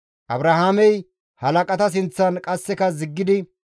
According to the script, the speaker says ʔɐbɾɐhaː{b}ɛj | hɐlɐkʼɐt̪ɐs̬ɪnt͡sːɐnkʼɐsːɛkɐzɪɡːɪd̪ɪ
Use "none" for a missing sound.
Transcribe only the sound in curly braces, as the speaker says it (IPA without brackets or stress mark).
m